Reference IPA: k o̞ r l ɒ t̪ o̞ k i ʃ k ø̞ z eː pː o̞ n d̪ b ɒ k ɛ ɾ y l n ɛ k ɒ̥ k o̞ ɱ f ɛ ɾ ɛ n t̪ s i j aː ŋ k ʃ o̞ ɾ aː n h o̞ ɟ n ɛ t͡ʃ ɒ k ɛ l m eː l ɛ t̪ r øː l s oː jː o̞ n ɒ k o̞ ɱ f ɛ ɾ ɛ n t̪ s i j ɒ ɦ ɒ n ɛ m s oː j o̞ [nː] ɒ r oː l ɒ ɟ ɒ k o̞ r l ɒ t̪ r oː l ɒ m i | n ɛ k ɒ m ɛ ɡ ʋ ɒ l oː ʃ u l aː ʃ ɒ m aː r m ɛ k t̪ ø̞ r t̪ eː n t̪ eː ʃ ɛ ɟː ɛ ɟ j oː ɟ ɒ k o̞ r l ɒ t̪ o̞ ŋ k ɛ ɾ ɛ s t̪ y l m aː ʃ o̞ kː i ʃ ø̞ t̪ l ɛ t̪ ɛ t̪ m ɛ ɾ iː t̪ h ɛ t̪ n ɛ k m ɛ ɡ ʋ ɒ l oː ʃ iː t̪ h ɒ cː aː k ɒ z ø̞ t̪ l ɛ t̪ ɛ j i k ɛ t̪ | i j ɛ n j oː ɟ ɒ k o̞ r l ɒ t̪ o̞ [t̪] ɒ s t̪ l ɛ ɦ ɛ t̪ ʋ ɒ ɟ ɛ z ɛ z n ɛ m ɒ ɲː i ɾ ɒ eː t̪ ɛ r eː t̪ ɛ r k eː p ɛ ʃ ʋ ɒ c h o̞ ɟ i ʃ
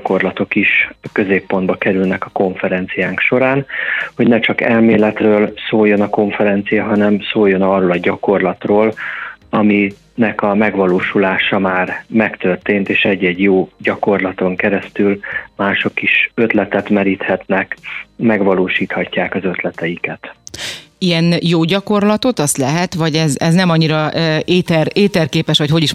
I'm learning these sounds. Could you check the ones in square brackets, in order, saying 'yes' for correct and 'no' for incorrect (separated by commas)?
no, yes